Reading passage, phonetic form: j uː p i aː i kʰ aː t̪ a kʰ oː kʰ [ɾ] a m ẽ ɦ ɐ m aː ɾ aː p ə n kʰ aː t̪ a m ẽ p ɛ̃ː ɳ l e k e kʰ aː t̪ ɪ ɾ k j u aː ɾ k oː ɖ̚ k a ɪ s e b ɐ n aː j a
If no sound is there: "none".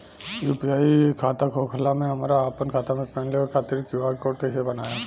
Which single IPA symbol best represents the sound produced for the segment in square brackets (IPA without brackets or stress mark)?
l